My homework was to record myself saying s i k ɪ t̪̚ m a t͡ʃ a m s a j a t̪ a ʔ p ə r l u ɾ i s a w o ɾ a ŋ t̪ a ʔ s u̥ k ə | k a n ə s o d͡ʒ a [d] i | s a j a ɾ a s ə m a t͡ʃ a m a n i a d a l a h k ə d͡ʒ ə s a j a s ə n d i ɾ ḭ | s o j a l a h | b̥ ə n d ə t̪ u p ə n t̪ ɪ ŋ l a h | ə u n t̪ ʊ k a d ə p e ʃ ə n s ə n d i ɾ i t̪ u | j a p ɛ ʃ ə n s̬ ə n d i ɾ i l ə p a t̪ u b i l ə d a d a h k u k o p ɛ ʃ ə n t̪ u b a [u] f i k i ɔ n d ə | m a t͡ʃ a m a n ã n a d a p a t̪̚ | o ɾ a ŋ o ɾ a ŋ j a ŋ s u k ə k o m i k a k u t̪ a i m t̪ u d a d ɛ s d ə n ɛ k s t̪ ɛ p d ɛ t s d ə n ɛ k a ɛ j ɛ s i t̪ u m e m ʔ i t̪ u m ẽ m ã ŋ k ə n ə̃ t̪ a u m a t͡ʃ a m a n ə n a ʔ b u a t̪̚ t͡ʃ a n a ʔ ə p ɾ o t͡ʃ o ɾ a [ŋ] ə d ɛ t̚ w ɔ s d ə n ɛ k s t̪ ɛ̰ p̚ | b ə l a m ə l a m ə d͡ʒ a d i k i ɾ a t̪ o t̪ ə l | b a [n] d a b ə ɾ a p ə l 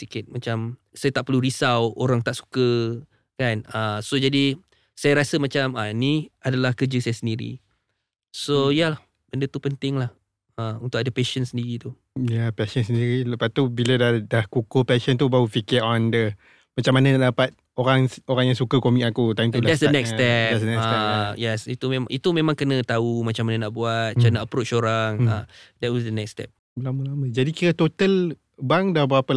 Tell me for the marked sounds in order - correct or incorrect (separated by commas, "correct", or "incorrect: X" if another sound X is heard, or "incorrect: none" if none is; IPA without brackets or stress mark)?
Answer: correct, correct, correct, incorrect: ŋ